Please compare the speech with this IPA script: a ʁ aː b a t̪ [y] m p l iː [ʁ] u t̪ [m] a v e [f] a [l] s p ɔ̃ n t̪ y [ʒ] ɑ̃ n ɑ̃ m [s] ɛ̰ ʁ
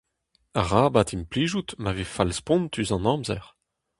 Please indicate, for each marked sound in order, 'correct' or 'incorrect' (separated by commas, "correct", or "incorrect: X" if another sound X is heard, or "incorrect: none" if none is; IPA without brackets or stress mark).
incorrect: i, incorrect: ʒ, correct, correct, correct, incorrect: z, incorrect: z